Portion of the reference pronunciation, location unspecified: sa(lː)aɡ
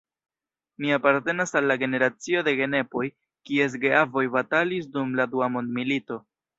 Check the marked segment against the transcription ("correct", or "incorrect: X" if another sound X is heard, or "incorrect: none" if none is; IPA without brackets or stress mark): correct